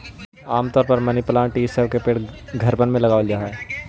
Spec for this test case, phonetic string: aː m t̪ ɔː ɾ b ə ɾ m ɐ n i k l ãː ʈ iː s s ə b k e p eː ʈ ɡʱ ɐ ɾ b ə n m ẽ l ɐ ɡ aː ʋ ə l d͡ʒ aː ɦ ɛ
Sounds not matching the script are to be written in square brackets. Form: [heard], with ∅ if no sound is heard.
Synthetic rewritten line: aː m t̪ ɔː ɾ [p] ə ɾ m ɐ n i [p] l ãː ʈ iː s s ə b k e p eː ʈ ɡʱ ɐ ɾ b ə n m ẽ l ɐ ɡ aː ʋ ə l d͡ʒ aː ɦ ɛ